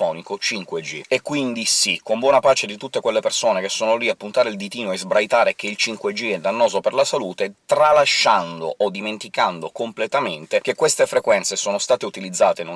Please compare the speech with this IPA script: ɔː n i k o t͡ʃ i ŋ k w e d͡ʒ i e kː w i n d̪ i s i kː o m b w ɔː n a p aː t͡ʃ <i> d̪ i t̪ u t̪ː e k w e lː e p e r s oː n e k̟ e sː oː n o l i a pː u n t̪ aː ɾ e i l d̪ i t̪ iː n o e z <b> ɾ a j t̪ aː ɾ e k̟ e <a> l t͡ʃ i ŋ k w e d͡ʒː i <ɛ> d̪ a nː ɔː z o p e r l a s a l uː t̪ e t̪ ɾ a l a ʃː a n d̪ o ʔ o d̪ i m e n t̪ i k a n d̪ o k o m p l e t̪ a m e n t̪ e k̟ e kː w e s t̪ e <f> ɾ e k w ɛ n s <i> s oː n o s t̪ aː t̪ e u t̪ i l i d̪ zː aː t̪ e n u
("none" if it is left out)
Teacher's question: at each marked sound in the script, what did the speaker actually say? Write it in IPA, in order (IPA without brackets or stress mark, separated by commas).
e, b, i, ɛ, f, e